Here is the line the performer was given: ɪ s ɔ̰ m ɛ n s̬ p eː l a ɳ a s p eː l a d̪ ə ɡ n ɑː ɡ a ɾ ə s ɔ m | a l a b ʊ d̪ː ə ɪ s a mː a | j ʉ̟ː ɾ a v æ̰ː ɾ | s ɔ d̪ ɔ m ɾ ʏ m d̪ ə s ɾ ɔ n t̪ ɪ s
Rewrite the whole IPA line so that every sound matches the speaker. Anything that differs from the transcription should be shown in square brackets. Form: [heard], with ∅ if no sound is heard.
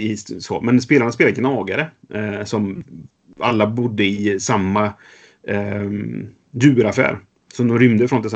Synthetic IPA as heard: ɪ s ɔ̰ m ɛ n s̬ p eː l a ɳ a s p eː l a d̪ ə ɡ n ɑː ɡ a ɾ ə s ɔ m | a [lː] a b ʊ d̪ː ə ɪ s a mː a | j ʉ̟ː ɾ a [f] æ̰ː ɾ | s ɔ d̪ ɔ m ɾ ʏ m d̪ ə [f] ɾ ɔ n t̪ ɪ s